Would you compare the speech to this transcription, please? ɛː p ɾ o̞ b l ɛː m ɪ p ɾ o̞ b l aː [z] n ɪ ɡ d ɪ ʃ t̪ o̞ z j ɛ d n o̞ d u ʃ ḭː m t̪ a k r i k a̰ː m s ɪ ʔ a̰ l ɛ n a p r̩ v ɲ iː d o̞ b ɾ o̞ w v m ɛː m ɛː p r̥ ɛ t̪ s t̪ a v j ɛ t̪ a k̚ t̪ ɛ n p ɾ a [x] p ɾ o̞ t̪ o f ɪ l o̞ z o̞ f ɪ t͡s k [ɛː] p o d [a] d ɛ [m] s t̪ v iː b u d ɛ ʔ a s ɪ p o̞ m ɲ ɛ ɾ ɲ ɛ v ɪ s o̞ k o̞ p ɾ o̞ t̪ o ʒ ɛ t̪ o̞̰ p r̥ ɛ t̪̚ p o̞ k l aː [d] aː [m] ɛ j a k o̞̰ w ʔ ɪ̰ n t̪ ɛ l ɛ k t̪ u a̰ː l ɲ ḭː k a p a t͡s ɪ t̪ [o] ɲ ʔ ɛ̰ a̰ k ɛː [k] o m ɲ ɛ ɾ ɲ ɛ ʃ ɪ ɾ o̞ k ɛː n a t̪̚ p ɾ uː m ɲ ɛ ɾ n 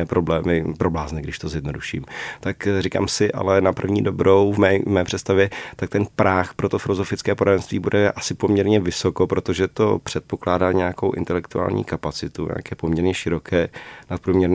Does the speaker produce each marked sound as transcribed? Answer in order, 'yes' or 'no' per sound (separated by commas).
yes, yes, yes, yes, no, yes, no, no, no